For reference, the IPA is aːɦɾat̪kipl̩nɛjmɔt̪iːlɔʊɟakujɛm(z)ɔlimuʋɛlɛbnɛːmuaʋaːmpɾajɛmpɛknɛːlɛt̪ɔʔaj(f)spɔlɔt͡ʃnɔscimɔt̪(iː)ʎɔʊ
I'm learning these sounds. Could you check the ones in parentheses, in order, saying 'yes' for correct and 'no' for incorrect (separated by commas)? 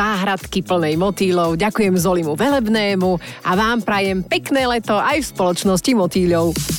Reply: yes, yes, yes